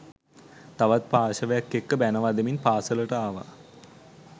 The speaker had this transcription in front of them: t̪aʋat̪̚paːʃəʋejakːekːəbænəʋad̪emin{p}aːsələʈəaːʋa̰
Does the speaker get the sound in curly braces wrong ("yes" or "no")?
no